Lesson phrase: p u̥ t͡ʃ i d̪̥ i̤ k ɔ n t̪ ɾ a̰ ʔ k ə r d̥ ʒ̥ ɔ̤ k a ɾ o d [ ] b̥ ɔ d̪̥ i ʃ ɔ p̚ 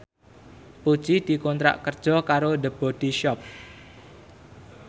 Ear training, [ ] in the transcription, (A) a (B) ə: B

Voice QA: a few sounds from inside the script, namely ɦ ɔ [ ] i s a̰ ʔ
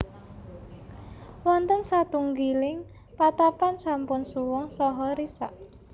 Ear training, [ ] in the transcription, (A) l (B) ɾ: B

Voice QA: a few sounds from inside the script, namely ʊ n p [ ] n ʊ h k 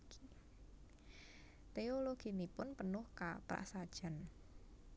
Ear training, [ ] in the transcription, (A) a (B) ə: B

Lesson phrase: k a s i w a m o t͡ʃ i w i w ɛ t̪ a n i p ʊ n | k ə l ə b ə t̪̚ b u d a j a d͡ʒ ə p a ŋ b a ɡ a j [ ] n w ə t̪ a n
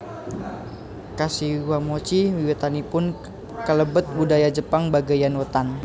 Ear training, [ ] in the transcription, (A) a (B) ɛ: A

